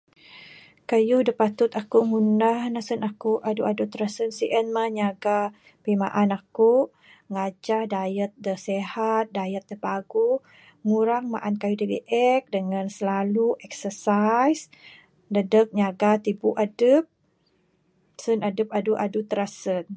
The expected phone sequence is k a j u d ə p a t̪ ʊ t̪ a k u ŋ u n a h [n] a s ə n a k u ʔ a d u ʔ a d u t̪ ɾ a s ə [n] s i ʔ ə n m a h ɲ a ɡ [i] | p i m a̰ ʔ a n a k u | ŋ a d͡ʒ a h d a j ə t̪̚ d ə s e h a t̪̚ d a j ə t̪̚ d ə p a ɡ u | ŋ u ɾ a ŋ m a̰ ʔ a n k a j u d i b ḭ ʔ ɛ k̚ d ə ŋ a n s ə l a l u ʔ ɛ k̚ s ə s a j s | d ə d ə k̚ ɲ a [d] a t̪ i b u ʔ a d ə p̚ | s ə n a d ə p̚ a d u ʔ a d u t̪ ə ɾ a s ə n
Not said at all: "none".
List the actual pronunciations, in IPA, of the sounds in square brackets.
n, n, a, ɡ

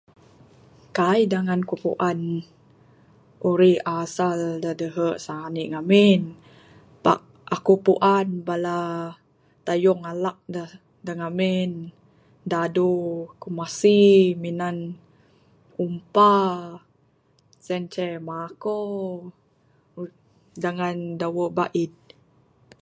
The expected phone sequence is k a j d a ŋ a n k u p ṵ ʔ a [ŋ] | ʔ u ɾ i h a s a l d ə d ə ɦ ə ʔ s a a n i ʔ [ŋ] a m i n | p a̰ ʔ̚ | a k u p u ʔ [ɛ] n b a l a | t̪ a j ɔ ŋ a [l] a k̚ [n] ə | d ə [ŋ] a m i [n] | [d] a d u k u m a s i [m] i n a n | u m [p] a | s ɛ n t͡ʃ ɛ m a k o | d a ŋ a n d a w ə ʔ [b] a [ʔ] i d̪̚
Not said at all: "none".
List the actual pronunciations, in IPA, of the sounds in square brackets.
n, ŋ, a, l, d, ŋ, n, d, m, p, b, ʔ

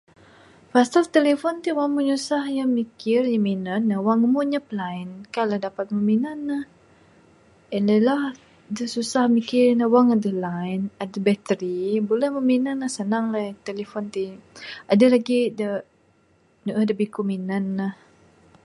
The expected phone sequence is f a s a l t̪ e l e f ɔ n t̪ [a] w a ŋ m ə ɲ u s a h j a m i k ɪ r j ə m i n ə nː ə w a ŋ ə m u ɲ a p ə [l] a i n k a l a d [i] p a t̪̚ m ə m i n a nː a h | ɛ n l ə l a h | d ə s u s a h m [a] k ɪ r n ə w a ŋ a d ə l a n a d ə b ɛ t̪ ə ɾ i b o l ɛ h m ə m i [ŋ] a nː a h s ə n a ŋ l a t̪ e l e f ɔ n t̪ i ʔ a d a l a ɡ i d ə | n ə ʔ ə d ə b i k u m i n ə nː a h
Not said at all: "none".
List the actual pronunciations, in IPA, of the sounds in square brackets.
i, l, a, i, n

